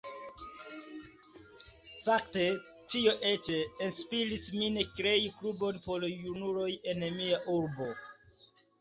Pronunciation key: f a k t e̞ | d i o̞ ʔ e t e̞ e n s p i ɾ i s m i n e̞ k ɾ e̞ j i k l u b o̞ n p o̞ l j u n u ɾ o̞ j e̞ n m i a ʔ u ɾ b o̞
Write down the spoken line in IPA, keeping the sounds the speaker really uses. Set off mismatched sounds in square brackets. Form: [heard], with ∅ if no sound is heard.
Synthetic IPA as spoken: f a k t e̞ | [t] i o̞ ʔ e [t͡ʃ] e̞ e n s p i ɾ i s m i n e̞ k ɾ e̞ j i k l u b o̞ n p o̞ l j u n u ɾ o̞ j e̞ n m i a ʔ u ɾ b o̞

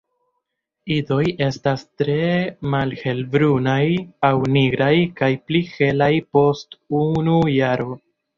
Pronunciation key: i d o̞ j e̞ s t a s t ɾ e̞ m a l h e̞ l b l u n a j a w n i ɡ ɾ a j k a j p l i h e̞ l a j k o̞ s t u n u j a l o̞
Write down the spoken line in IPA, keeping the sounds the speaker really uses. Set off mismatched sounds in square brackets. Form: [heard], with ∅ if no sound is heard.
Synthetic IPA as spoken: i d o̞ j e̞ s t a s t ɾ e̞ m a l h e̞ l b [ɾ] u n a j a w n i ɡ ɾ a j k a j p l i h e̞ l a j [p] o̞ s t u n u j a [ɾ] o̞

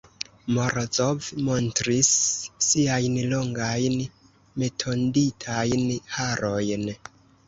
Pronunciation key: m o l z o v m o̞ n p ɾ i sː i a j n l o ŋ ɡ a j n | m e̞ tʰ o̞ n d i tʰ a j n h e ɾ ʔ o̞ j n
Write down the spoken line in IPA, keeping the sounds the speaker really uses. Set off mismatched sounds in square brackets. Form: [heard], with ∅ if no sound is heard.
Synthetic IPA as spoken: m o [ɾ] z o v m o̞ n [t] ɾ i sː i a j n l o ŋ ɡ a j n | m e̞ tʰ o̞ n d i tʰ a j n h [a] ɾ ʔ o̞ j n

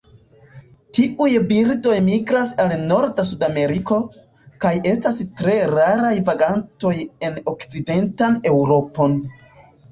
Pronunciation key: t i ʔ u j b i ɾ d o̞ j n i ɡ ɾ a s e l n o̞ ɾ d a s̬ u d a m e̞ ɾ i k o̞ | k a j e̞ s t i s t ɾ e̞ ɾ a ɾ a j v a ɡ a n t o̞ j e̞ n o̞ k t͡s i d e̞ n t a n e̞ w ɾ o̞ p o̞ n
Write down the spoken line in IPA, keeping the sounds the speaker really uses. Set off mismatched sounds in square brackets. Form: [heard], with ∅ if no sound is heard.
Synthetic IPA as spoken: t i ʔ u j b i ɾ d o̞ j [m] i ɡ ɾ a s [a] l n o̞ ɾ d a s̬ u d a m e̞ ɾ i k o̞ | k a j e̞ s t [a] s t ɾ e̞ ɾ a ɾ a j v a ɡ a n t o̞ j e̞ n o̞ k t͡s i d e̞ n t a n e̞ w ɾ o̞ p o̞ n

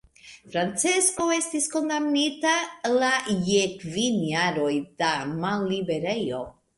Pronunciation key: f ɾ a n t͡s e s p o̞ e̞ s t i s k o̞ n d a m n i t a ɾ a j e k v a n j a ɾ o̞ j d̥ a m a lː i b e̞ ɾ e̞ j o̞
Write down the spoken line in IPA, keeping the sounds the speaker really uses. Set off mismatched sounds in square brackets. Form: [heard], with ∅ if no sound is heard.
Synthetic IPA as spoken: f ɾ a n t͡s e s [k] o̞ e̞ s t i s k o̞ n d a m n i t a [l] a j e k v [i] n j a ɾ o̞ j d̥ a m a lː i b e̞ ɾ e̞ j o̞

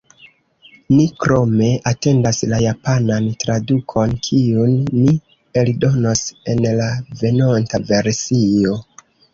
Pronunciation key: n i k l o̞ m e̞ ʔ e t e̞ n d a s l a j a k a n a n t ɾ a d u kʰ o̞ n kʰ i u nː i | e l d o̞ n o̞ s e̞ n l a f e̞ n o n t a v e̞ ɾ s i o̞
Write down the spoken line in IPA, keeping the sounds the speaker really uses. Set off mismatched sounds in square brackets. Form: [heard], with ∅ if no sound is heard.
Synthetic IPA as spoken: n i k [ɾ] o̞ m e̞ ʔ [a] t e̞ n d a s l a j a [p] a n a n t ɾ a d u kʰ o̞ n kʰ i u nː i | e l d o̞ n o̞ s e̞ n l a [v] e̞ n o n t a v e̞ ɾ s i o̞

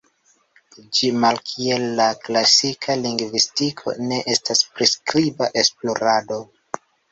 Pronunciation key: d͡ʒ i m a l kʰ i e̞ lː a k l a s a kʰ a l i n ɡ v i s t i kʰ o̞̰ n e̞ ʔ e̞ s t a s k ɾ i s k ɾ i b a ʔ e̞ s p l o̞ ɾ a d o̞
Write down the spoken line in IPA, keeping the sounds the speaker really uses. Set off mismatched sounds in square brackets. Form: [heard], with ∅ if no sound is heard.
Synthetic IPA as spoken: d͡ʒ i m a l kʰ i e̞ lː a k l a s [i] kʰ a l i [ŋ] ɡ v i s t i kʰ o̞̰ n e̞ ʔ e̞ s t a s [p] ɾ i s k ɾ i b a ʔ e̞ s p l o̞ ɾ a d o̞

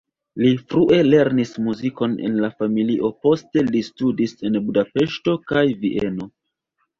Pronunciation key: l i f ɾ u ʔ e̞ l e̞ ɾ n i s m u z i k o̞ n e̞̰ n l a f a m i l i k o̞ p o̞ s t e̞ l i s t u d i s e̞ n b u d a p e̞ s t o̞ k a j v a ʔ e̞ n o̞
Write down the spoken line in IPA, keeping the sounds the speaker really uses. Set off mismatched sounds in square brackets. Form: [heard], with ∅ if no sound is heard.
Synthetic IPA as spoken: l i f ɾ u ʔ e̞ l e̞ ɾ n i s m u z i k o̞ n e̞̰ n l a f a m i l i [ʔ] o̞ p o̞ s t e̞ l i s t u d i s e̞ n b u d a p e̞ [ʃ] t o̞ k a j v [i] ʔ e̞ n o̞

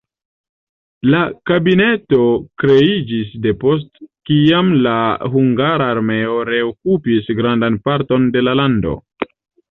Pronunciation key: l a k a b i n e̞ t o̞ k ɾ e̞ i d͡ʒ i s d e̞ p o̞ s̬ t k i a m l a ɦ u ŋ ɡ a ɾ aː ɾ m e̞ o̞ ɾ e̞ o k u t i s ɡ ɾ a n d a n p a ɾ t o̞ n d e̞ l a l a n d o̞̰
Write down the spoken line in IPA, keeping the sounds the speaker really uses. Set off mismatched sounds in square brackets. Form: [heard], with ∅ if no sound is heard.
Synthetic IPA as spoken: l a k a b i n e̞ t o̞ k ɾ e̞ i d͡ʒ i s d e̞ p o̞ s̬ t k i a m l a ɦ u ŋ ɡ a ɾ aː ɾ m e̞ o̞ ɾ e̞ o k u [p] i s ɡ ɾ a n d a n p a ɾ t o̞ n d e̞ l a l a n d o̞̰

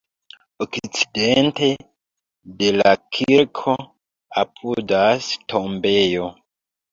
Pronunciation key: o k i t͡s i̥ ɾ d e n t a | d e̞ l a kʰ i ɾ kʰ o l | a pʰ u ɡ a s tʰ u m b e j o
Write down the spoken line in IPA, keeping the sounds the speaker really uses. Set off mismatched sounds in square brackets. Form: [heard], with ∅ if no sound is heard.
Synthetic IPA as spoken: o k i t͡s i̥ [∅] d e n t [e] | d e̞ l a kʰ i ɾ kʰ o [∅] | a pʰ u [d] a s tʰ [o] m b e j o

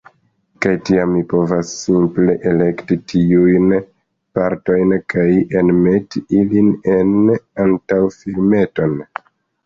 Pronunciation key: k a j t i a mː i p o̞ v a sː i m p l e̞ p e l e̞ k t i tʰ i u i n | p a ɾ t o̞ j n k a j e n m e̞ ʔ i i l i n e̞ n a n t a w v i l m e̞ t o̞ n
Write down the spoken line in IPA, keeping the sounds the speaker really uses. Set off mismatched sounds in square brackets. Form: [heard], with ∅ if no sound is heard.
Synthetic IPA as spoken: k a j t i a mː i p o̞ v a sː i m p l e̞ [ʔ] e l e̞ k t i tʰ i u [j] n | p a ɾ t o̞ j n k a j e n m e̞ [t] i i l i n e̞ n a n t a w [f] i l m e̞ t o̞ n

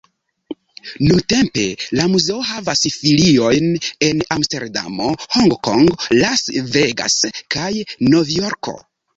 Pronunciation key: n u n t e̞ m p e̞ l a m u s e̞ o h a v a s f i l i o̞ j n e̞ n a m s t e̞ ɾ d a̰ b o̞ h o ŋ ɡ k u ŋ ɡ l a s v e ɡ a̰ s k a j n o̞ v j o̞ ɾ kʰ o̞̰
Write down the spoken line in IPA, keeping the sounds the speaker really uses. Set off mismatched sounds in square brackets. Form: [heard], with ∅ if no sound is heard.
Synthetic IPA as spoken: n u n t e̞ m p e̞ l a m u [z] e̞ o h a v a s f i l i o̞ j n e̞ n a m s t e̞ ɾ d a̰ [m] o̞ h o ŋ ɡ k [o] ŋ ɡ l a s v e ɡ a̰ s k a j n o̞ v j o̞ ɾ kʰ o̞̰

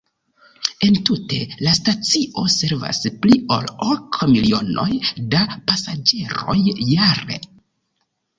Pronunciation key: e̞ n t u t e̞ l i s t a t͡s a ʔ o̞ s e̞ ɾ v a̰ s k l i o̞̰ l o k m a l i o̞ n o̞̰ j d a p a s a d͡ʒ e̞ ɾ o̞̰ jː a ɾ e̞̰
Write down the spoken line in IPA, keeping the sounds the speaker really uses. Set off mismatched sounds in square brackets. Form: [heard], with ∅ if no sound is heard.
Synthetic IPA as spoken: e̞ n t u t e̞ l [a] s t a t͡s [i] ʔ o̞ s e̞ ɾ v a̰ s [p] l i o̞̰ l o k m [i] l i o̞ n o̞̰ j d a p a s a d͡ʒ e̞ ɾ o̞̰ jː a ɾ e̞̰

